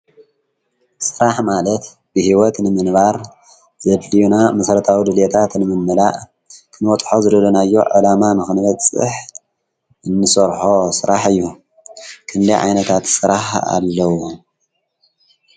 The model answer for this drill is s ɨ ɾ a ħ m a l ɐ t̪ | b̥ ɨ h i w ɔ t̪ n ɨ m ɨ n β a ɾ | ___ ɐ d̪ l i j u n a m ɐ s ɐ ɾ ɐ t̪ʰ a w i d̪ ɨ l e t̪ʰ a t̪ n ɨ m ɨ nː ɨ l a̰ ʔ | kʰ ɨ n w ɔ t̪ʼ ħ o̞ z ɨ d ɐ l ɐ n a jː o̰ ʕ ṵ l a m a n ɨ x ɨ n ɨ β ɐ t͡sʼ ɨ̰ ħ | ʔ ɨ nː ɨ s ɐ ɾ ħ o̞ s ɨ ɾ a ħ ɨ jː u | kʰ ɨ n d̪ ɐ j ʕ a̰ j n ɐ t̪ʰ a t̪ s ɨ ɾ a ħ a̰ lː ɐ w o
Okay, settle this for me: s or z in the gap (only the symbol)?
z